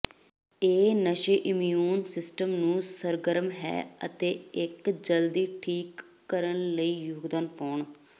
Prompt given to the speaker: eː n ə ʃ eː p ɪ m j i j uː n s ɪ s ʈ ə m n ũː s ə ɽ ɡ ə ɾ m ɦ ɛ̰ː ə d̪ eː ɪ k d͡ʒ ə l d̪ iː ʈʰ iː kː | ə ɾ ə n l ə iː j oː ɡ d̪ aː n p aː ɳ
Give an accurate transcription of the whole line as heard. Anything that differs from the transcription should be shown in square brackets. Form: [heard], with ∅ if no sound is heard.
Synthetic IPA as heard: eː n ə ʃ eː [ʔ] ɪ m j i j uː n s ɪ s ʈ ə m n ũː s ə [ɾ] ɡ ə ɾ m ɦ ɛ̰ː ə [t̪] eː ɪ k d͡ʒ ə l d̪ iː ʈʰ iː kː | ə ɾ ə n l ə iː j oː ɡ d̪ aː n p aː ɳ